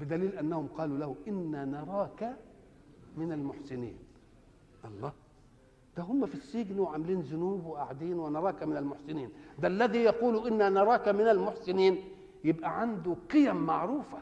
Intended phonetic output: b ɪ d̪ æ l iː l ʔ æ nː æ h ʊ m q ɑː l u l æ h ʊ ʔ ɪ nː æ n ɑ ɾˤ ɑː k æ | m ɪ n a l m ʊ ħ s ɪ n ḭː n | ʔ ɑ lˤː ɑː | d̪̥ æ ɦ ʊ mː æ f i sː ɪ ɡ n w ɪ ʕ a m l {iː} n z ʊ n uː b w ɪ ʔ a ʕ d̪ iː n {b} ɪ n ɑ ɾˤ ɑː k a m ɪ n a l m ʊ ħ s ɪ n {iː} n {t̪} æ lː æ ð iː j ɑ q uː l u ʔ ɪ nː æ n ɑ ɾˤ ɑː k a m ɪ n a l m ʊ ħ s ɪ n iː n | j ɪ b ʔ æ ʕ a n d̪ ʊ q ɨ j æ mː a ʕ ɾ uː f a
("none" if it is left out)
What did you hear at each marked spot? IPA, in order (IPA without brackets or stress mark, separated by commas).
iː, w, iː, d̪